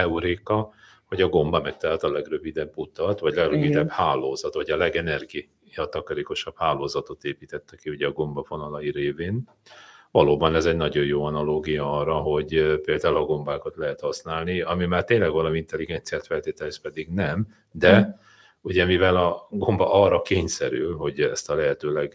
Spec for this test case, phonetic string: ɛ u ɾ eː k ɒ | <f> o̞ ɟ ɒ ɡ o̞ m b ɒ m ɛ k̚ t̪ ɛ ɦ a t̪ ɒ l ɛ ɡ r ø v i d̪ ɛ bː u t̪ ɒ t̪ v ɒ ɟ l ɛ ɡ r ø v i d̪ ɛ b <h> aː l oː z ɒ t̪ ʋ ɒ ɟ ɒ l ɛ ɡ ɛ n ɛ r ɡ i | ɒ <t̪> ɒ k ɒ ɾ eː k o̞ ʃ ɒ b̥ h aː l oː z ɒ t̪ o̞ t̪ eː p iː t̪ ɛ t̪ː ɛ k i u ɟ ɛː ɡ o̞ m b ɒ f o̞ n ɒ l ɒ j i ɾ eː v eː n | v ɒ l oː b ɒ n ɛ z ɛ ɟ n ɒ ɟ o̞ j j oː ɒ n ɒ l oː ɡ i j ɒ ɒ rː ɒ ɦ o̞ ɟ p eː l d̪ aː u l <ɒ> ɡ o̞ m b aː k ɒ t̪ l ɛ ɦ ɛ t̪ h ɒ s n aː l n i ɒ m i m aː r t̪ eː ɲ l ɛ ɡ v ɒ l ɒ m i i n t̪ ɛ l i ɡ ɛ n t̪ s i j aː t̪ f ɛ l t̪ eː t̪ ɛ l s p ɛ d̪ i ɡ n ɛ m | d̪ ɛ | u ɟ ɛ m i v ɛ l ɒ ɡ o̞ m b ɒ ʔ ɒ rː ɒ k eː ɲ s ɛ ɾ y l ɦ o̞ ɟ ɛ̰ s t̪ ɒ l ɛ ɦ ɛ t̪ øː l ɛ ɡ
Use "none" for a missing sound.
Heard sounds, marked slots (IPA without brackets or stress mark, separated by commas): h, h, t̪, ɒ